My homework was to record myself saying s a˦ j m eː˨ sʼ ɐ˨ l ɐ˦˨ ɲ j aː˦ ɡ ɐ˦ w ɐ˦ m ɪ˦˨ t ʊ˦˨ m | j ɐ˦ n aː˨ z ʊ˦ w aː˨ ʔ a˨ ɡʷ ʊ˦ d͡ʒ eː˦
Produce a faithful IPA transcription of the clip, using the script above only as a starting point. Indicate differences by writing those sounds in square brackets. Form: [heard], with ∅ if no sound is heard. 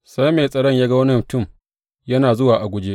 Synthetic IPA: s a˦ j m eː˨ sʼ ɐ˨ [ɽ] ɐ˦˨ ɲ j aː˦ ɡ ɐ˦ w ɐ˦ [n] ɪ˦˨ t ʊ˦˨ m | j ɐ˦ n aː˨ z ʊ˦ w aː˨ ʔ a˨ ɡʷ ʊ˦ d͡ʒ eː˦